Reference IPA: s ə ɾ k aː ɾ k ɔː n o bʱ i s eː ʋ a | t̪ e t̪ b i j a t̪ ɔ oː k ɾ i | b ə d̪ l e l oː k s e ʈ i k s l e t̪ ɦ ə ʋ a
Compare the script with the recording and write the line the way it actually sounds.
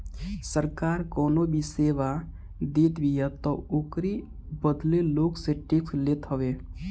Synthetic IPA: s ə ɾ k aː ɾ k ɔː n o bʱ i s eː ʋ a | d̪ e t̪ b i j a t̪ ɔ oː k ɾ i | b ə d̪ l e l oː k s e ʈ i k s l e t̪ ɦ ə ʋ e